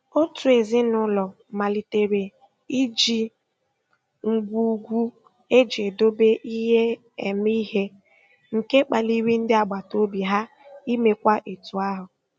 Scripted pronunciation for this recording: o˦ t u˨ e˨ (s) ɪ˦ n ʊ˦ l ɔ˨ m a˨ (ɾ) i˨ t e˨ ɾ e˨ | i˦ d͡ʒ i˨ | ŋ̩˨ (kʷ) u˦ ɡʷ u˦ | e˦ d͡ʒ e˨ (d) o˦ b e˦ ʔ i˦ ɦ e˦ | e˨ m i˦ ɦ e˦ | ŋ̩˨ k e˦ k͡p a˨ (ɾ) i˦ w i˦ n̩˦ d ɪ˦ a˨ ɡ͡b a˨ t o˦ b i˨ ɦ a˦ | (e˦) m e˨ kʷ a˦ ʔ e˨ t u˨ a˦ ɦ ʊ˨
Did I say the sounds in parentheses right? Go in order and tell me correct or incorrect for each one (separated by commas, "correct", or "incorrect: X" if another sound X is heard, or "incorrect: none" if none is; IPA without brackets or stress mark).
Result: incorrect: z, incorrect: l, incorrect: ɡʷ, correct, incorrect: l, incorrect: i˦